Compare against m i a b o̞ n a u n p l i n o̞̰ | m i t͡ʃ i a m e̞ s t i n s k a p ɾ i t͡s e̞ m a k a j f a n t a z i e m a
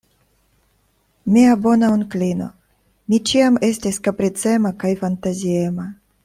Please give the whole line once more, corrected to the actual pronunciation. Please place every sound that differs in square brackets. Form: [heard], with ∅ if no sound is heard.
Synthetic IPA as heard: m i a b o̞ n a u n [k] l i n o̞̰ | m i t͡ʃ i a m e̞ s t i [∅] s k a p ɾ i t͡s e̞ m a k a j f a n t a z i e m a

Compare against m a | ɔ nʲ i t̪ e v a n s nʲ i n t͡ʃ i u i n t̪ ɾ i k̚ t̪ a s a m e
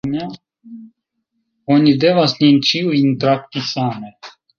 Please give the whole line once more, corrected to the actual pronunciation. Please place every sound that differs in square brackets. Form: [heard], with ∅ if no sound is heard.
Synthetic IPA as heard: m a | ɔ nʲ i [d̪] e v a [∅] s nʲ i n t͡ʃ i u i n t̪ ɾ [a] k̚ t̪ [i] s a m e

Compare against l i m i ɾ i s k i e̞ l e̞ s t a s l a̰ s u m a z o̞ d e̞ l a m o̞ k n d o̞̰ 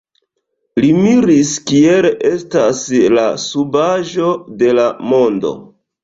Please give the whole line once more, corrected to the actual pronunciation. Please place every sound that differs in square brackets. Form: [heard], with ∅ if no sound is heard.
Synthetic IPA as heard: l i m i ɾ i s k i e̞ l e̞ s t a s l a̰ s u [b] a [ʒ] o̞ d e̞ l a m o̞ [∅] n d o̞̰

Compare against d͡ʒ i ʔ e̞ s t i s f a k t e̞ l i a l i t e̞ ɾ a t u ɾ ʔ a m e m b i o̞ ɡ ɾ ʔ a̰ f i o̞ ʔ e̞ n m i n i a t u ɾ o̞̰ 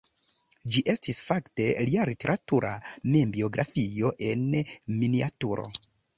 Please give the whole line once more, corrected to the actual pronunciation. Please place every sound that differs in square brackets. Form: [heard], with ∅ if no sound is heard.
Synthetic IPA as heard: d͡ʒ i ʔ e̞ s t i s f a k t e̞ l i a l i t e̞ ɾ a t u ɾ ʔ a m e m b i o̞ ɡ ɾ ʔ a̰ f i o̞ ʔ e̞ n m i n i a t u ɾ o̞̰

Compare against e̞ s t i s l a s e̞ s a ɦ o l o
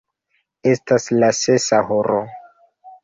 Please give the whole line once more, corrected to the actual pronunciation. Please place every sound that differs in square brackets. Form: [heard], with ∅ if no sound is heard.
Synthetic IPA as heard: e̞ s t [a] s l a s e̞ s a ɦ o [ɾ] o

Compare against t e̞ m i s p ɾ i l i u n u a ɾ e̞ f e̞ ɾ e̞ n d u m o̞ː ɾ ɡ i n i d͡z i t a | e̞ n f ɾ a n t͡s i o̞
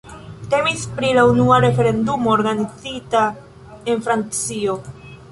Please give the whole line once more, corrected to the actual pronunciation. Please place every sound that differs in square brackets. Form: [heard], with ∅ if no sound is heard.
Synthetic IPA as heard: t e̞ m i s p ɾ i l [a] u n u a ɾ e̞ f e̞ ɾ e̞ n d u m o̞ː ɾ ɡ [a] n i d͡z i t a | e̞ n f ɾ a n t͡s i o̞

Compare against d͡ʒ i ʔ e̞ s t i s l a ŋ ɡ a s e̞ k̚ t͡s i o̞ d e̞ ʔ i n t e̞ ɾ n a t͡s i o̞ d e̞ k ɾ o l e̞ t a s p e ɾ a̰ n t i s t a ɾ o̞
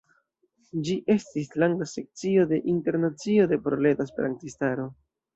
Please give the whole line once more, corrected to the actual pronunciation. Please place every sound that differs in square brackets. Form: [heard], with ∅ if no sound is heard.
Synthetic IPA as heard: d͡ʒ i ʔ e̞ s t i s l a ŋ ɡ a s e̞ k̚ t͡s i o̞ d e̞ ʔ i n t e̞ ɾ n a t͡s i o̞ d e̞ [p] ɾ o l e̞ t a s p e ɾ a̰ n t i s t a ɾ o̞

